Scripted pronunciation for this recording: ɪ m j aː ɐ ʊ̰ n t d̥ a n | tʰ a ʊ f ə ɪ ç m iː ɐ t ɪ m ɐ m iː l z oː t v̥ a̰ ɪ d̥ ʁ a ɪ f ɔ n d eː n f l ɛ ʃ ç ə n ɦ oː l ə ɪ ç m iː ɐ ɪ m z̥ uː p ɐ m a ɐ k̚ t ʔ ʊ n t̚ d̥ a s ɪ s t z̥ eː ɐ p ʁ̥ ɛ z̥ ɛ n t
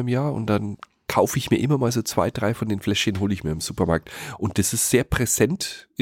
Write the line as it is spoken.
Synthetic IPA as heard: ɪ m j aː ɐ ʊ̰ n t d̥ a n | kʰ a ʊ f ə ɪ ç m iː ɐ ʔ ɪ m ɐ m aː l z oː t͡s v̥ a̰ ɪ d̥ ʁ a ɪ f ɔ n d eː n f l ɛ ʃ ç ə n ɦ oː l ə ɪ ç m iː ɐ ɪ m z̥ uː p ɐ m a ɐ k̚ t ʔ ʊ n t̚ d̥ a s ɪ s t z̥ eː ɐ p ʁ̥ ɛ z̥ ɛ n t